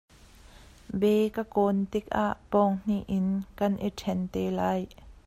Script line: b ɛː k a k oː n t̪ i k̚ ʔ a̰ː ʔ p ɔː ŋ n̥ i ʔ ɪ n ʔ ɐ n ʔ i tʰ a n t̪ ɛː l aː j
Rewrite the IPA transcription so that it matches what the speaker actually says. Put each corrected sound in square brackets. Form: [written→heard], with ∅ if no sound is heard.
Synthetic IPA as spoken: b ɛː k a k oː n t̪ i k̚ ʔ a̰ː ʔ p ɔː ŋ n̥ i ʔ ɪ n [ʔ→k] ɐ n ʔ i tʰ [a→ɛ] n t̪ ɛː l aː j